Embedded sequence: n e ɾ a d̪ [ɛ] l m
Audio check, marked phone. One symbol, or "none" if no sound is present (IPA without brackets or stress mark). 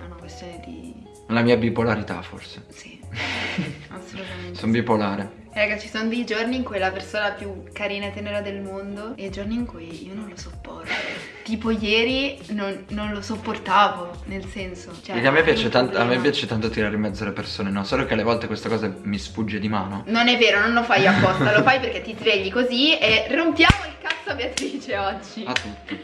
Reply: e